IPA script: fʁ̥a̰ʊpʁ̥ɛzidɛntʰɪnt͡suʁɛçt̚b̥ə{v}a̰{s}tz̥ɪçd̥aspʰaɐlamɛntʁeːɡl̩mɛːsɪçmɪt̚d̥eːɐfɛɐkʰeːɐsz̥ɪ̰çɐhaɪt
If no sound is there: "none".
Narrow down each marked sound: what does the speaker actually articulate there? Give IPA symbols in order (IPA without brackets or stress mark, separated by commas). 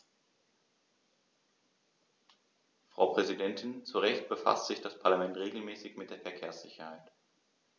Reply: f, s